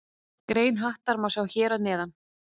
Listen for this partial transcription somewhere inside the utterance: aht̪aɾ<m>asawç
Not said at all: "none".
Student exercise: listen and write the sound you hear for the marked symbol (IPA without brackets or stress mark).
m